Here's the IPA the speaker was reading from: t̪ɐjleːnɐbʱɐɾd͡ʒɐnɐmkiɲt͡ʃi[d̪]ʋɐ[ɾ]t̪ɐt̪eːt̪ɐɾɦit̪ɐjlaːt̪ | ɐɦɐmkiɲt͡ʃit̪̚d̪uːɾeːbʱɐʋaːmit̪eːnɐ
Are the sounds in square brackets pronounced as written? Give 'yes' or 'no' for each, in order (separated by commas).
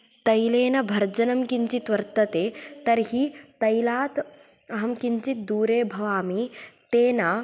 no, yes